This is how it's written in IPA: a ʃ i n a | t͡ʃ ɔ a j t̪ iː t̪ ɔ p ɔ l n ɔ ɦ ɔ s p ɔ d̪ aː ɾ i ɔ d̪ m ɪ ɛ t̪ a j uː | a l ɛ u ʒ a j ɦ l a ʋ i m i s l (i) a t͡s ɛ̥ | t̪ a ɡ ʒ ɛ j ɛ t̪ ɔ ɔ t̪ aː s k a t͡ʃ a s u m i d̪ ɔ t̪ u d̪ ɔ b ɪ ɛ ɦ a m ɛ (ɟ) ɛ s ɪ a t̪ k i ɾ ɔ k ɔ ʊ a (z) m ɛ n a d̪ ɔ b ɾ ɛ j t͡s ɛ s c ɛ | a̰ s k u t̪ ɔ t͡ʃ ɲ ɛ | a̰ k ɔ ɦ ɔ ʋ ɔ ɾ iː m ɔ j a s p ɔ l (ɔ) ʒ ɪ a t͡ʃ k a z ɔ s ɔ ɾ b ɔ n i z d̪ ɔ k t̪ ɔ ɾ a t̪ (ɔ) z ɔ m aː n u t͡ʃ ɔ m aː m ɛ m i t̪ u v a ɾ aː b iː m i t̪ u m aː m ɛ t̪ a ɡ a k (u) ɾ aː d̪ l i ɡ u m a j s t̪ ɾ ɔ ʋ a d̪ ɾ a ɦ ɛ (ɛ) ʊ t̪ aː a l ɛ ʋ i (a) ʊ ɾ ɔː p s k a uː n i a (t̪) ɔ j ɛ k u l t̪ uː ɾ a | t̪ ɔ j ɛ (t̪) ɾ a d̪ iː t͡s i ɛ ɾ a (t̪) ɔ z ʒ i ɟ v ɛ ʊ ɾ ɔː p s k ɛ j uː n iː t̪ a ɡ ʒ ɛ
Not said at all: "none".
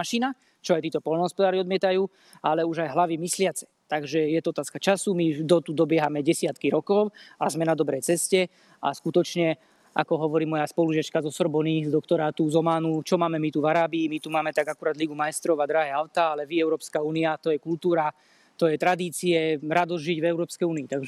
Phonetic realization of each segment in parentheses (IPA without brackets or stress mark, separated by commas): ɪ, ɟ, z, u, u, u, a, ɛ, t̪, t̪, d̪